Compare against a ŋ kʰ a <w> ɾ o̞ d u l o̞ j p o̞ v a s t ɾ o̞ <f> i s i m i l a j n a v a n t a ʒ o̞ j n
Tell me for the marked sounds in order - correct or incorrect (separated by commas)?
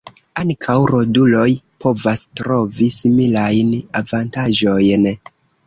correct, incorrect